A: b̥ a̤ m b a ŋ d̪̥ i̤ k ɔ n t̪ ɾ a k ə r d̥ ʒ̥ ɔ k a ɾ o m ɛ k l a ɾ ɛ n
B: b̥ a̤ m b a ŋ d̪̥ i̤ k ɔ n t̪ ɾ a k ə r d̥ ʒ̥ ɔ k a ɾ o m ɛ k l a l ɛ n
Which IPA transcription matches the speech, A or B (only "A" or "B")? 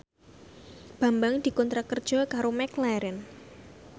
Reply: A